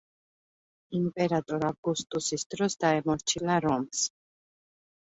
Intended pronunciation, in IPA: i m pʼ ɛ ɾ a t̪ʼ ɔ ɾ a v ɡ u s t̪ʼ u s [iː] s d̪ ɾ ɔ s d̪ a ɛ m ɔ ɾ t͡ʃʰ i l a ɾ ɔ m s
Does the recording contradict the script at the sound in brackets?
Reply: yes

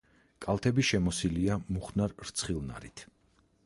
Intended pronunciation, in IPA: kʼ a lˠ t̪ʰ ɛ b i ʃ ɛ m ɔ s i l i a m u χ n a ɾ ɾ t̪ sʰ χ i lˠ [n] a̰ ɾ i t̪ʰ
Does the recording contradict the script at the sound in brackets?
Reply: no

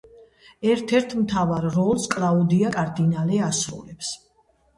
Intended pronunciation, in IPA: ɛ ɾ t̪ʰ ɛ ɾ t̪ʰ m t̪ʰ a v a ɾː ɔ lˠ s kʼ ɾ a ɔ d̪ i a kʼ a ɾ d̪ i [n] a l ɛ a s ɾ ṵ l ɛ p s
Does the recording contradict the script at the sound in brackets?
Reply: no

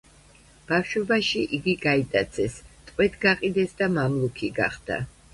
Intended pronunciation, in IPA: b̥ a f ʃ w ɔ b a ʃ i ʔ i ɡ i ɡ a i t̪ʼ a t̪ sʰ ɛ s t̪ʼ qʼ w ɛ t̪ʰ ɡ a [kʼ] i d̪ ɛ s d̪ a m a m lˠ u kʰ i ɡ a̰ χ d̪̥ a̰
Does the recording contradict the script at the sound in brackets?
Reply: yes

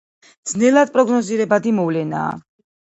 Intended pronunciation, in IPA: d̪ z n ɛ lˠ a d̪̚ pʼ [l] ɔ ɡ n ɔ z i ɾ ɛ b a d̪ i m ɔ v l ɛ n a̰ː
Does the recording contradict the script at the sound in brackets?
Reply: yes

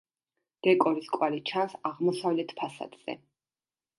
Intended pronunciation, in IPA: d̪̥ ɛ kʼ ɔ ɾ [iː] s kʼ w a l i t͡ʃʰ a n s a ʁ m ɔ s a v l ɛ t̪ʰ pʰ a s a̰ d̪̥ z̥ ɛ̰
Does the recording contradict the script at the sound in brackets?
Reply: yes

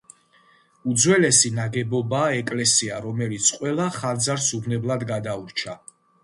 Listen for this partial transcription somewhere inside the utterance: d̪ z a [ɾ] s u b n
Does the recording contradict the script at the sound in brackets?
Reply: no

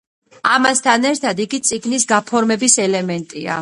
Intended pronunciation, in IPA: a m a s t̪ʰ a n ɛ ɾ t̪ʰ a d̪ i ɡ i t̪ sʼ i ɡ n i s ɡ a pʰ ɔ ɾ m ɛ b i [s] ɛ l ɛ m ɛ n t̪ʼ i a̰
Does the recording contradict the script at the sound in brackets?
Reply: no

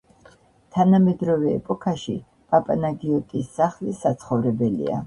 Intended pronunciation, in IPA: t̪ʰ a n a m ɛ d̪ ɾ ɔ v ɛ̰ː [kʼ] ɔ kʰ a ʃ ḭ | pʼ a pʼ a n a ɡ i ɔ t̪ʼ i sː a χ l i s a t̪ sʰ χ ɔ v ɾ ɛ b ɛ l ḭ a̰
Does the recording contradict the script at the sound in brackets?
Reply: yes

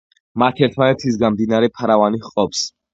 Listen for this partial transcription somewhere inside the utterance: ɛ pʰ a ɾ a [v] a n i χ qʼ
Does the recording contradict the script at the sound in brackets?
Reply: no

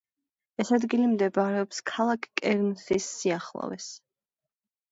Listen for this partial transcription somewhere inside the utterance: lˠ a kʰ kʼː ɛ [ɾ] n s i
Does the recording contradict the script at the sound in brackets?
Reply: no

